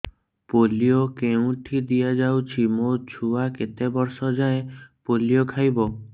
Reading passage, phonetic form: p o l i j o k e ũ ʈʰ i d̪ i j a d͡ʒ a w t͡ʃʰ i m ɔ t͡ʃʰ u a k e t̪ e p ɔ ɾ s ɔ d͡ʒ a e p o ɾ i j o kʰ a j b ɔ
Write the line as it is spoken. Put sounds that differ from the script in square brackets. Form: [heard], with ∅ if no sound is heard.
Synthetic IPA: p o l i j o k e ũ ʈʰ i d̪ i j a d͡ʒ a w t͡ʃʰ i m [o] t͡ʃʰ u a k e t̪ e [b] ɔ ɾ s ɔ d͡ʒ a e p o [l] i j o kʰ a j b ɔ